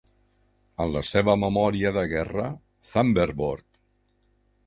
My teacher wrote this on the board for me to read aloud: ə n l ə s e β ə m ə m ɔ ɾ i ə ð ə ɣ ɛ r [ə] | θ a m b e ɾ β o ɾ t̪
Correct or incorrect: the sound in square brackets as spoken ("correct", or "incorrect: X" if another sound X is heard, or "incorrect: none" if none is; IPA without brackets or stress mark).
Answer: correct